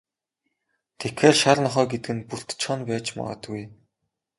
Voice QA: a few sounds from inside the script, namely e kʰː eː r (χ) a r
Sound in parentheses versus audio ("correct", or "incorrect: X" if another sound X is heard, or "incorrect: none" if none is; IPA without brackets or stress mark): incorrect: ʃ